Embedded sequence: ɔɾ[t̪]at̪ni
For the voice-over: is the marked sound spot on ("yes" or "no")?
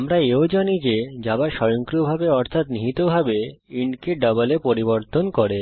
no